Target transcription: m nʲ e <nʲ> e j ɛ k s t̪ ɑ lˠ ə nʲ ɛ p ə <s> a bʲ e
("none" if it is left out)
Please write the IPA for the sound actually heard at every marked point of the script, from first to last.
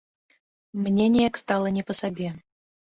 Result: nʲ, s

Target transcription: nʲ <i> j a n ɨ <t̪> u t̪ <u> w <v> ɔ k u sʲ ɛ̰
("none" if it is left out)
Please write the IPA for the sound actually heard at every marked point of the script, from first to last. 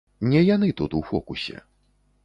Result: ɛ, t̪, u, f

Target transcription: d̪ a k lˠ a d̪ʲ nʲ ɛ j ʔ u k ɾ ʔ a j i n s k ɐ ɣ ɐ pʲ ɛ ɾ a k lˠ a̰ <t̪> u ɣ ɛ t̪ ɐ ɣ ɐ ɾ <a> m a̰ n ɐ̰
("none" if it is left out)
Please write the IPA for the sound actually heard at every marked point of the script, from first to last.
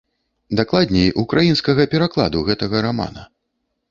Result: d̪, a

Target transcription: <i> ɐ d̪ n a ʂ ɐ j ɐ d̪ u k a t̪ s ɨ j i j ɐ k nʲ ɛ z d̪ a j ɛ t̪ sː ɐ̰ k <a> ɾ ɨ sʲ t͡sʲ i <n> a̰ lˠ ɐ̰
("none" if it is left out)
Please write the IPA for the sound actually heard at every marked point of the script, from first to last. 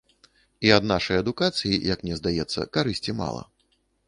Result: i, a, m

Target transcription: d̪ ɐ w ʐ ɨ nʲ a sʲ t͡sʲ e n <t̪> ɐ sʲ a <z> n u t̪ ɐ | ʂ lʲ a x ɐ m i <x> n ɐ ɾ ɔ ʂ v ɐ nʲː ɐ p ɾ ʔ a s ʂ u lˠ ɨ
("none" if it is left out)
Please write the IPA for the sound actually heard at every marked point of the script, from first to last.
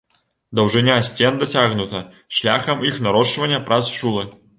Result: d̪, ɣ, x

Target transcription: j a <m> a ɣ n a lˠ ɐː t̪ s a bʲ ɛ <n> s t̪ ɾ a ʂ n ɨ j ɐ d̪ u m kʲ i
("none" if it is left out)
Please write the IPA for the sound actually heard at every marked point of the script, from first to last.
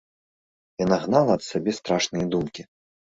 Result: n, none

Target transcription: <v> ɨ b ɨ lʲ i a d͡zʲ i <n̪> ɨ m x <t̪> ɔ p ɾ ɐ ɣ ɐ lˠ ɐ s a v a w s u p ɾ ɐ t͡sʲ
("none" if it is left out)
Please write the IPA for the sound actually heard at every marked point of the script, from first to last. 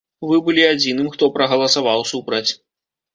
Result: v, n̪, t̪

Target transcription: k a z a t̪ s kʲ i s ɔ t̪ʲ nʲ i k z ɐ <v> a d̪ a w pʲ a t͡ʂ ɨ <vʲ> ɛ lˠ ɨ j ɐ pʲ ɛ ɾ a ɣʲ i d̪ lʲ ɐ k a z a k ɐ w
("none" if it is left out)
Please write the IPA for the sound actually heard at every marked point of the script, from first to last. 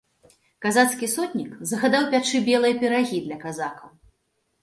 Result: ɣ, bʲ

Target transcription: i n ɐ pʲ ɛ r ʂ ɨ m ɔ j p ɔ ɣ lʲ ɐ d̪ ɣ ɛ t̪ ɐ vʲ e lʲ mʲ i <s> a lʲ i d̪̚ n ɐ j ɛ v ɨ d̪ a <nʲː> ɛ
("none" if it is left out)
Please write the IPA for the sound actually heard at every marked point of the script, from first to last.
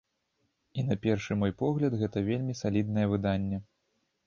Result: s, nʲː

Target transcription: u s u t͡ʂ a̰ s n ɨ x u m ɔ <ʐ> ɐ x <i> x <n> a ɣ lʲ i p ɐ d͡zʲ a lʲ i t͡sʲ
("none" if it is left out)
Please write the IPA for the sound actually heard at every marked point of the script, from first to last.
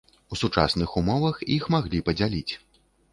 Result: v, i, m

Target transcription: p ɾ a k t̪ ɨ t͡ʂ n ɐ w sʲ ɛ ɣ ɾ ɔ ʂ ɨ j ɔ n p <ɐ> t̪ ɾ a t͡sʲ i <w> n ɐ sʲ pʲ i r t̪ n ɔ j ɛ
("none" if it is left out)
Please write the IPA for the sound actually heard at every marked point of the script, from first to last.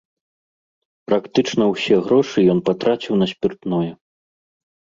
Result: a, w

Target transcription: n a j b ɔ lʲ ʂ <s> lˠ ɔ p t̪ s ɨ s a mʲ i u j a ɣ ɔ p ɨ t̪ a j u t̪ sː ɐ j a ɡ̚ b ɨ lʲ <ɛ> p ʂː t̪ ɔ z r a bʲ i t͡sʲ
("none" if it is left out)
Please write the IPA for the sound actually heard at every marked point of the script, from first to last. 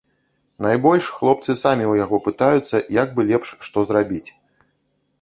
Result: x, ɛ

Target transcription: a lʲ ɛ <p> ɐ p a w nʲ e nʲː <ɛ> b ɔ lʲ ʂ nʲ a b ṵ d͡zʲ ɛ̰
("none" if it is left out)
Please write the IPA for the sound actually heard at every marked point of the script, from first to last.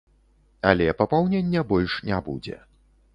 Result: p, ɛ

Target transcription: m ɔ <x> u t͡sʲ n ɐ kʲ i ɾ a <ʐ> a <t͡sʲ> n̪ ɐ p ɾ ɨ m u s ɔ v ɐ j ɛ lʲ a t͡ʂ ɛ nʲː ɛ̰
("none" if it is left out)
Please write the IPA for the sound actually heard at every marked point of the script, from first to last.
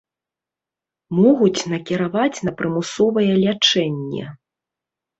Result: ɣ, v, t͡sʲ

